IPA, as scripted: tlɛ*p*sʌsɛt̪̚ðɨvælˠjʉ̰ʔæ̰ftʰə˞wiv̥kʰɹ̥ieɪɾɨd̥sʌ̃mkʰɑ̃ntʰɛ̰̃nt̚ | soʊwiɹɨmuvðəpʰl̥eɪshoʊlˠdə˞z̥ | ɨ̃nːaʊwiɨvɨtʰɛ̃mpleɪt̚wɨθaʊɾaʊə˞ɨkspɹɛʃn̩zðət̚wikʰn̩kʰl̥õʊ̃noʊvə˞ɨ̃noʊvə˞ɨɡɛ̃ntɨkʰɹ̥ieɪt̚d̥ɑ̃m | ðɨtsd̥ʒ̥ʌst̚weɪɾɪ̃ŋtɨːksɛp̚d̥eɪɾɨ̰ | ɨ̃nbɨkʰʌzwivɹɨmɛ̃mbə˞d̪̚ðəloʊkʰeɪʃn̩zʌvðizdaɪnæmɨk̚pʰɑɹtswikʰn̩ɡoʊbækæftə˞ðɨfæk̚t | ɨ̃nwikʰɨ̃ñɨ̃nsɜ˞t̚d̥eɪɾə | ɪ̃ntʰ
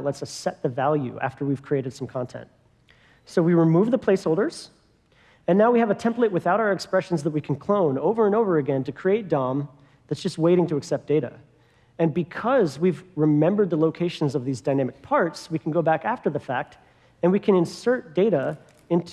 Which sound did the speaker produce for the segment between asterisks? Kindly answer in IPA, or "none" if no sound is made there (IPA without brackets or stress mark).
t